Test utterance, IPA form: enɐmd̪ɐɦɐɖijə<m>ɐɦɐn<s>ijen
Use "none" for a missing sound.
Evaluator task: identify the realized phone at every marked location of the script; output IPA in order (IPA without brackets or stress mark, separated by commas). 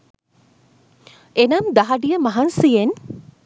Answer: m, s